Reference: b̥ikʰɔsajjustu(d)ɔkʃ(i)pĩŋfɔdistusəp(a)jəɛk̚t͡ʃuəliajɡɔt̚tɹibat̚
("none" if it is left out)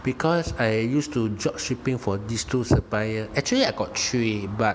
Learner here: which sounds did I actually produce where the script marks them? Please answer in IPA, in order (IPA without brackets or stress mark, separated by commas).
d͡ʒ, i, a